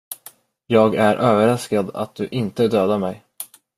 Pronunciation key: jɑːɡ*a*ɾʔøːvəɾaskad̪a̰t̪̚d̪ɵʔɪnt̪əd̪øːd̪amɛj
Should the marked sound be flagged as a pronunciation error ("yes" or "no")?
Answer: yes